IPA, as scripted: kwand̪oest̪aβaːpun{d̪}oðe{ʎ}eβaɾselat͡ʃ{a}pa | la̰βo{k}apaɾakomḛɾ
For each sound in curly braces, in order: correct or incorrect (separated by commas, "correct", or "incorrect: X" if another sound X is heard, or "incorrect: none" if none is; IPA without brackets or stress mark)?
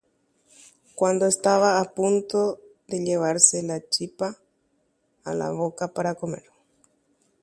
incorrect: t̪, correct, incorrect: i, correct